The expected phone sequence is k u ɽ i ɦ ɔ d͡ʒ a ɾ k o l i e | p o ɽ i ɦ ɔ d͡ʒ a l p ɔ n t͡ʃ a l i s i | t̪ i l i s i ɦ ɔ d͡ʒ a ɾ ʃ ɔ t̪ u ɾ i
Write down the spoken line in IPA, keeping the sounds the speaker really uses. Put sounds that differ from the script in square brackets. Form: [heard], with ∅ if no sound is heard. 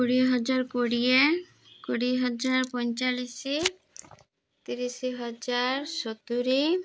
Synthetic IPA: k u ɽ i ɦ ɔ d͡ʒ a ɾ k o [ɽ] i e | [k] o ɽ i ɦ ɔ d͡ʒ a [ɾ] p ɔ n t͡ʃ a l i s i | t̪ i [ɾ] i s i ɦ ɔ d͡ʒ a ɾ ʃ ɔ t̪ u ɾ i